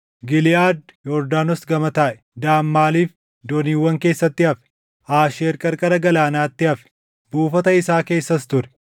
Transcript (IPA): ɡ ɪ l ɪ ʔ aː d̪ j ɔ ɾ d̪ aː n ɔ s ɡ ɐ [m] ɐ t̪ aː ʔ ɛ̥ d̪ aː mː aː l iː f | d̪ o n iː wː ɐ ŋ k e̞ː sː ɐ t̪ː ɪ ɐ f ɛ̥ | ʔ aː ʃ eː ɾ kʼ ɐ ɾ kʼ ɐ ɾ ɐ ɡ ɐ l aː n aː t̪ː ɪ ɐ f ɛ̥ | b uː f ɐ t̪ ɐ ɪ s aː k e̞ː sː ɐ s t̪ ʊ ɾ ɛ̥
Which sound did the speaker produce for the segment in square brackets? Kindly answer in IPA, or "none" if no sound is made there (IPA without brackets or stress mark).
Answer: m